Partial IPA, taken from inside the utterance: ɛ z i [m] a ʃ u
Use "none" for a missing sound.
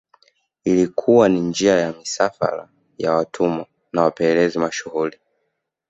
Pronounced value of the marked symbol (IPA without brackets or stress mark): m